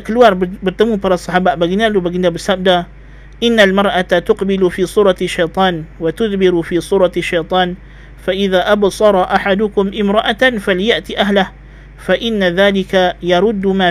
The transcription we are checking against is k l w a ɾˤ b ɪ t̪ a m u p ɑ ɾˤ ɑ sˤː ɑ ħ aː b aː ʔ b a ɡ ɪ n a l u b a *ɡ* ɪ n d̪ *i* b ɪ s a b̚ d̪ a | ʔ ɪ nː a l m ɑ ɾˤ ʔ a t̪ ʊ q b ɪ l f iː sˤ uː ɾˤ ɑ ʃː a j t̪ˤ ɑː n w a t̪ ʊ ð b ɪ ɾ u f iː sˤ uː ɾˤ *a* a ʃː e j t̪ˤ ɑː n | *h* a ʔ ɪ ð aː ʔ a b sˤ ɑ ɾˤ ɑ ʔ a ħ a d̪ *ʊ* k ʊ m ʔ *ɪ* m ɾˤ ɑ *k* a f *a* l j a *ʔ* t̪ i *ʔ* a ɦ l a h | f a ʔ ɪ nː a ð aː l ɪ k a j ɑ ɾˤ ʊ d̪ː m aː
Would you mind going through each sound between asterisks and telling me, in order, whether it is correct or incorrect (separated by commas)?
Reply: correct, incorrect, incorrect, incorrect, correct, correct, incorrect, correct, correct, correct